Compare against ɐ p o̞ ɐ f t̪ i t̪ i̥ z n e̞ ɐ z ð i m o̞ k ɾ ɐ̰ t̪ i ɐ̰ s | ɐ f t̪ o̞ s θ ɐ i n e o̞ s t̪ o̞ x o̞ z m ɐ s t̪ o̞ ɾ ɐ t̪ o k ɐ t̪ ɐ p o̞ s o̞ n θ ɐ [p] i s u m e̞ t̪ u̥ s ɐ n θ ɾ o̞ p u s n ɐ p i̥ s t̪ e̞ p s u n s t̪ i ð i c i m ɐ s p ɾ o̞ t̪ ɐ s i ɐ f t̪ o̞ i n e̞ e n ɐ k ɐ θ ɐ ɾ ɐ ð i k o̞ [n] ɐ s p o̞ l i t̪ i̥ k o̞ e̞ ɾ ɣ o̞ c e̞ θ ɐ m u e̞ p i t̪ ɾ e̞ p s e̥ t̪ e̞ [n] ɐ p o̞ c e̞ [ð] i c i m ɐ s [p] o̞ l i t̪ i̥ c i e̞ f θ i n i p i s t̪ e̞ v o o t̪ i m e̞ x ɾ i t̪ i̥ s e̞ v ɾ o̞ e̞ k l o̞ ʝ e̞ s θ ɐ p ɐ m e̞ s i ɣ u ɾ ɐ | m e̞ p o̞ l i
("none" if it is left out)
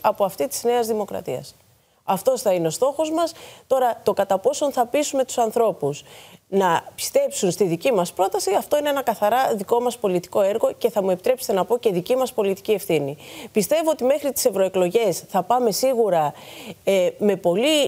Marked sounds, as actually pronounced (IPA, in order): p, m, n, ð, p

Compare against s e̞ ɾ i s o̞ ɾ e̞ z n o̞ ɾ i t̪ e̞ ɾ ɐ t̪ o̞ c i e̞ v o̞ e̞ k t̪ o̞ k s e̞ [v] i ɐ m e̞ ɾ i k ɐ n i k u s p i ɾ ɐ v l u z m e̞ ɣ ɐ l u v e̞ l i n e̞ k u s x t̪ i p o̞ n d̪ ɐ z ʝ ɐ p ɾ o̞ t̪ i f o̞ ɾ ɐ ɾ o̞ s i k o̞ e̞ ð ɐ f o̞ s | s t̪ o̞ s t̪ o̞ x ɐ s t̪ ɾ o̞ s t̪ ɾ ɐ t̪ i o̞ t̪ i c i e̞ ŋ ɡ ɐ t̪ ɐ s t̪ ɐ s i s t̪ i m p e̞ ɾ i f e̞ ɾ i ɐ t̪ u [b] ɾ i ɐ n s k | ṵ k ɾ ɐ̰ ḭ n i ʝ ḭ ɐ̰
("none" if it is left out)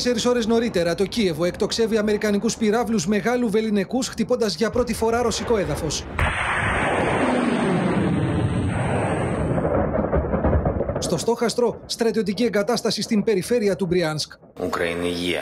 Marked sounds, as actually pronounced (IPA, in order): v, b

